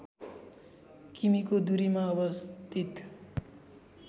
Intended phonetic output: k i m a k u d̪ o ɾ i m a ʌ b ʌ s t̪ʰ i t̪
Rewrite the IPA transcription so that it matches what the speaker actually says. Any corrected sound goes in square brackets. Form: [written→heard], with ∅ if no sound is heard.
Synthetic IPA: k i m [a→i] k [u→o] d̪ [o→u] ɾ i m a ʌ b ʌ s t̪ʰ i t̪